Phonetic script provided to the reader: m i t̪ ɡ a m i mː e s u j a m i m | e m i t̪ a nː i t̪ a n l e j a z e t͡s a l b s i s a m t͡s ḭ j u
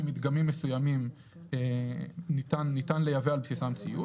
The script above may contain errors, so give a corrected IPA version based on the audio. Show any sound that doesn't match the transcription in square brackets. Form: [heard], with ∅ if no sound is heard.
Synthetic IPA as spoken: m i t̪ ɡ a m i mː e s u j a m i m | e [n] i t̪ a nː i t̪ a n l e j a [v] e [∅] a l b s i s a m t͡s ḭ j u